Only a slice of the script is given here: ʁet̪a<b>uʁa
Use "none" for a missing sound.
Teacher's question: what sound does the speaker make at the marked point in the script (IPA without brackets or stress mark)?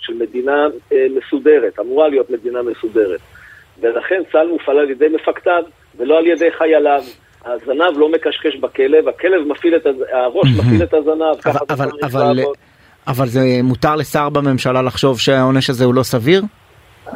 m